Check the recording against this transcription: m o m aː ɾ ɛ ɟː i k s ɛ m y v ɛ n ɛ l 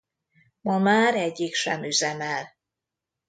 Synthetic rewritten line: m ɒ m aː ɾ ɛ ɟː i k ʃ ɛ m y z ɛ m ɛ l